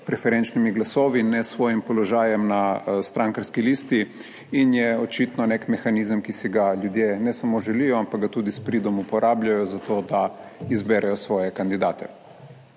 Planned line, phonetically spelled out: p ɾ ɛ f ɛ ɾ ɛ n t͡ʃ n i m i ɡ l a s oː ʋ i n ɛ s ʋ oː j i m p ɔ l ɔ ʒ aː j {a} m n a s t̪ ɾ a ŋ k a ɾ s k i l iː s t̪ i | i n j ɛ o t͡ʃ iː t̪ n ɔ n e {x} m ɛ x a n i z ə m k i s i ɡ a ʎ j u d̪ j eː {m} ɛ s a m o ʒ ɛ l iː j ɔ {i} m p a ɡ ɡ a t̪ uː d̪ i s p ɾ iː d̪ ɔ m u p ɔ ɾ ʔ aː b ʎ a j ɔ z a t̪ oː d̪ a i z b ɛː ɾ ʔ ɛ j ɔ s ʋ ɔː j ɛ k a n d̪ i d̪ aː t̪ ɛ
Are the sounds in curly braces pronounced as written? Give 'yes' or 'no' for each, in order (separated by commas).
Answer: no, no, no, no